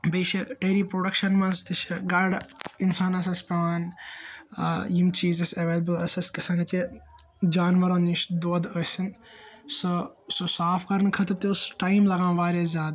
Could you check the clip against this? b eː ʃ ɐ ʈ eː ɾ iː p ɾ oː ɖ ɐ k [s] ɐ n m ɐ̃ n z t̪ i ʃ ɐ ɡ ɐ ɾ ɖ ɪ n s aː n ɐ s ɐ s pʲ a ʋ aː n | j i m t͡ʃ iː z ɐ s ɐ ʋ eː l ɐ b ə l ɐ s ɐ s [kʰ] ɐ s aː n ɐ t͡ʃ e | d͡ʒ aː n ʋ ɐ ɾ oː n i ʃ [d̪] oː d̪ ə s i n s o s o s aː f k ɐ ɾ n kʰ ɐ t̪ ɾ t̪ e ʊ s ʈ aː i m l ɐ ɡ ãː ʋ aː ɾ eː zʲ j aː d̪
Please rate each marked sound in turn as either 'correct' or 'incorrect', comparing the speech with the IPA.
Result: incorrect, incorrect, correct

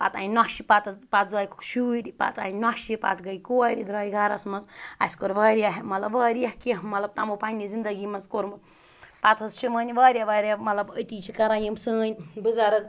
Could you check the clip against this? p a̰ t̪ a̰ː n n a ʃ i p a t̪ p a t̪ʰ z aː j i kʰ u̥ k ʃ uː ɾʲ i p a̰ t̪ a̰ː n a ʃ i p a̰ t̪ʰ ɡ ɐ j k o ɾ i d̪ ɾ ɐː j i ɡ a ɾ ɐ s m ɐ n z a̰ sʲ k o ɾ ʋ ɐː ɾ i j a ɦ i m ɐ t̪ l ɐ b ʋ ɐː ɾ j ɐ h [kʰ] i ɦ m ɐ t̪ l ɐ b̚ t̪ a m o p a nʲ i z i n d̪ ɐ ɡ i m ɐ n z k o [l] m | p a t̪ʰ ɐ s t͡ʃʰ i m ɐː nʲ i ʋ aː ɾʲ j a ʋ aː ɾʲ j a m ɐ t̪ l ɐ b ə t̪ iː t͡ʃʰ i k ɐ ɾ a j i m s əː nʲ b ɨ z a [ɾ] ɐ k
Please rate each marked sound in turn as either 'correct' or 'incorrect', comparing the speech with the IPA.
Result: incorrect, incorrect, correct

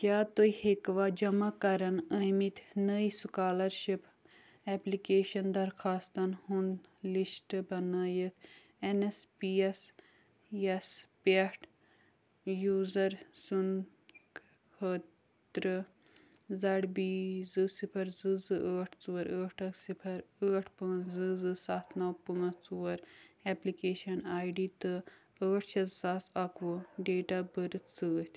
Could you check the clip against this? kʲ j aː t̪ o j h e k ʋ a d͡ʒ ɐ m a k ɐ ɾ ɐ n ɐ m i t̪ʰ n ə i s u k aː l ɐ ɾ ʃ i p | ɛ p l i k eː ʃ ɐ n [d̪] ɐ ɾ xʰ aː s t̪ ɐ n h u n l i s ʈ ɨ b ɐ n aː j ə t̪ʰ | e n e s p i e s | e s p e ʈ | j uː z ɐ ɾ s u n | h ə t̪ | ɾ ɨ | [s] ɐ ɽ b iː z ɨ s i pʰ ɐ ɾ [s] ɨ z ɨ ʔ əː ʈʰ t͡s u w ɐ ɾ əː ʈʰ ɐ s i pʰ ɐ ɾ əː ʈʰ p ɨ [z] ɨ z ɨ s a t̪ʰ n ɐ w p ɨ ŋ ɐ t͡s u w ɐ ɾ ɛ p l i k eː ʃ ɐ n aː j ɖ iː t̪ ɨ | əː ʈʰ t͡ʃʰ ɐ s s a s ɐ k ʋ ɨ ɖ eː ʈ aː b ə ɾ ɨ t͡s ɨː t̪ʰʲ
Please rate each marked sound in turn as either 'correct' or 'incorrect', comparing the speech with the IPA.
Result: correct, incorrect, incorrect, correct

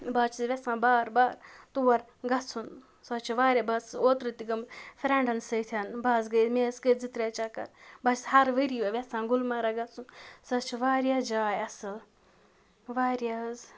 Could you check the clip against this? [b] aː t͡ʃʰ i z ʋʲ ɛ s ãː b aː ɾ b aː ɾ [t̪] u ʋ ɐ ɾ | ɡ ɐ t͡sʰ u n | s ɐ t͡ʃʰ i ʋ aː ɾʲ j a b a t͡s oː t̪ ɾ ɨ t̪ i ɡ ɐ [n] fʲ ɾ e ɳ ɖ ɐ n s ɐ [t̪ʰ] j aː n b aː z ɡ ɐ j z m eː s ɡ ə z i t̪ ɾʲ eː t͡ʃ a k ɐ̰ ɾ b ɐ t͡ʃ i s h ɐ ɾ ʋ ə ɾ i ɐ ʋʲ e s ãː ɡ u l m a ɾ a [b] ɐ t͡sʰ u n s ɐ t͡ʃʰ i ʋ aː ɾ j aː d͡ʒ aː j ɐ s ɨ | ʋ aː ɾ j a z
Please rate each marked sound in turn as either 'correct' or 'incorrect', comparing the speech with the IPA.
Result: correct, correct, incorrect, correct, incorrect

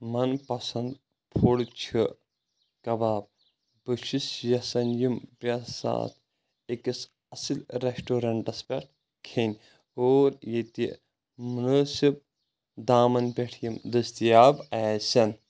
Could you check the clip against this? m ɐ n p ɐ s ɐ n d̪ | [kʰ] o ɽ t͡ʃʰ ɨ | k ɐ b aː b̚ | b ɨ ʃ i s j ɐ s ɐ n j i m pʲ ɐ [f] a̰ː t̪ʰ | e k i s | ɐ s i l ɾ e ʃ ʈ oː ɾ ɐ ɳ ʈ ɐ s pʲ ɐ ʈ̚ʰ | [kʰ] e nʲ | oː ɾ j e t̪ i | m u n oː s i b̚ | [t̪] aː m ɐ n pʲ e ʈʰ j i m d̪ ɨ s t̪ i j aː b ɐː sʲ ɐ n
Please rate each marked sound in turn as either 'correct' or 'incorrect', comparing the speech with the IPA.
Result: incorrect, incorrect, correct, incorrect

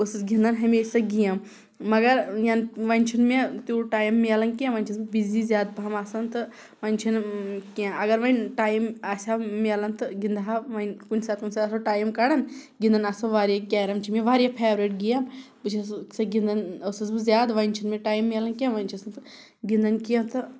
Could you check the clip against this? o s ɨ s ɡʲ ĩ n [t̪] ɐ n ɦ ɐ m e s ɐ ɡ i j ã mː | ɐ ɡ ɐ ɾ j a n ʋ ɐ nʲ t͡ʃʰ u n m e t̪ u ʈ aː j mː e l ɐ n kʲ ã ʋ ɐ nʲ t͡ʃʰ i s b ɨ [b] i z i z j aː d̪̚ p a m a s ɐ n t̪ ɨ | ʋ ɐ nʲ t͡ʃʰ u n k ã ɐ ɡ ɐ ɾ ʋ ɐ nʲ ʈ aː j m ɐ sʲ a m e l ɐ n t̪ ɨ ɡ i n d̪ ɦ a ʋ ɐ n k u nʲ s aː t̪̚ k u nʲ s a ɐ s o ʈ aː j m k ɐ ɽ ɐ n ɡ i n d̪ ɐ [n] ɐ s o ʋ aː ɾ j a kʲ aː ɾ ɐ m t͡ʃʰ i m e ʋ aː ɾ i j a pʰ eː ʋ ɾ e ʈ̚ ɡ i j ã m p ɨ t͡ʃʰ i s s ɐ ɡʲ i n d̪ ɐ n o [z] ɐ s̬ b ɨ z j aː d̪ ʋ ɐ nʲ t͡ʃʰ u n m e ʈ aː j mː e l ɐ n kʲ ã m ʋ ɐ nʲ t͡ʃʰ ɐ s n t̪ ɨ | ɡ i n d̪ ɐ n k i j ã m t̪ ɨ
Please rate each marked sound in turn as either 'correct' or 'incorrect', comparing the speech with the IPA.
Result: incorrect, correct, correct, incorrect

